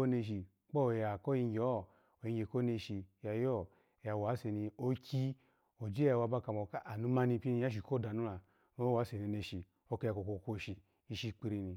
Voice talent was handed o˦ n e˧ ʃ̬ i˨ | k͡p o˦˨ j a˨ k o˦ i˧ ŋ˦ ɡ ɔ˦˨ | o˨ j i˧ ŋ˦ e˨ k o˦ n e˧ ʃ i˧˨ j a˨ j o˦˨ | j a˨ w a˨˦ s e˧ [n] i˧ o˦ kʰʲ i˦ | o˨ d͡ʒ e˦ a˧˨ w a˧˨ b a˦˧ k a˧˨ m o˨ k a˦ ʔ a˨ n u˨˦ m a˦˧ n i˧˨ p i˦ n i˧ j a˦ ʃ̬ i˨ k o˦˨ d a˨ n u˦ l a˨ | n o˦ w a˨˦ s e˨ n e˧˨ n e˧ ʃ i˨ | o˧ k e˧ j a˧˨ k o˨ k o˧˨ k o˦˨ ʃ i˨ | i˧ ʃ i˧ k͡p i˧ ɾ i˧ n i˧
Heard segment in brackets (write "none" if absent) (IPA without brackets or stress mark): n